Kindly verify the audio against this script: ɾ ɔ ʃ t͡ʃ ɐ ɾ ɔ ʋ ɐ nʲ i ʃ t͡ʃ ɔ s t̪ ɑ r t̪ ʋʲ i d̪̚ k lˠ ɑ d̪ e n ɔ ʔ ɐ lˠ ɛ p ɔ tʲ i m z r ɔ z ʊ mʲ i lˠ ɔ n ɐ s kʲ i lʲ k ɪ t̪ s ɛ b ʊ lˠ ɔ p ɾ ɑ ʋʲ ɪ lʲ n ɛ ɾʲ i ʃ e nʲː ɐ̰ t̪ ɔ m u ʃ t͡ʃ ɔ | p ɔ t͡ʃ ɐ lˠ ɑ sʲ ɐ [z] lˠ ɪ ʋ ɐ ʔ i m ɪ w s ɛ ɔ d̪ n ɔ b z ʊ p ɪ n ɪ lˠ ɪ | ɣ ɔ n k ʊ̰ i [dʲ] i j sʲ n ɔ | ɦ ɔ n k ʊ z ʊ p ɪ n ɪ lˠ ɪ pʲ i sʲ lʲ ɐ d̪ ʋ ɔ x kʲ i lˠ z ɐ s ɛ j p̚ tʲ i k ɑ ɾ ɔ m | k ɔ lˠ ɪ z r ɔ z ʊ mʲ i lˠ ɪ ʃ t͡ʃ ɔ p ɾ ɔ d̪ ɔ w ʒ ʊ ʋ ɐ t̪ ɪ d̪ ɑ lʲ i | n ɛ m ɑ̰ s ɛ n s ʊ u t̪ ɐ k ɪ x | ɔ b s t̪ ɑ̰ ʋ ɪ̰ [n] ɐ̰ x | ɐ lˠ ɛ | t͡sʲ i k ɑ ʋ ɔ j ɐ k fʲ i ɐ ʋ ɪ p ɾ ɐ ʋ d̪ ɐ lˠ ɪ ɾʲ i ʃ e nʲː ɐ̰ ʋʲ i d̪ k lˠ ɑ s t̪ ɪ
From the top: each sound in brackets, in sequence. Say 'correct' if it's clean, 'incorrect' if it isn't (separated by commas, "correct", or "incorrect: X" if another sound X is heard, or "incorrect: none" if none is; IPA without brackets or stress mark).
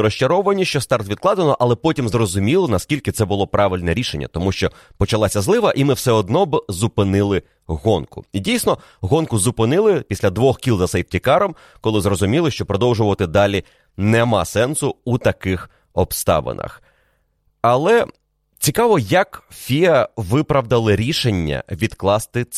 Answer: correct, correct, correct